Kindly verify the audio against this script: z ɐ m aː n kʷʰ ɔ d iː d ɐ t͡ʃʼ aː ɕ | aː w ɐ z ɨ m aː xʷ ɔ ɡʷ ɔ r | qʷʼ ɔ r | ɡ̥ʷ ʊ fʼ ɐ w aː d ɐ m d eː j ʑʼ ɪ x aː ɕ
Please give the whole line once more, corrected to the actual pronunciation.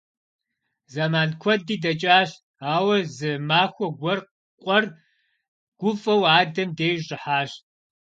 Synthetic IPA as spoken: z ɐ m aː n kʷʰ ɔ d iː d ɐ t͡ʃʼ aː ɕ | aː w ɐ z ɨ m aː xʷ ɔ ɡʷ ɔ r | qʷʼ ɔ r | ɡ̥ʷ ʊ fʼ ɐ w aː d ɐ m d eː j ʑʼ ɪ ħ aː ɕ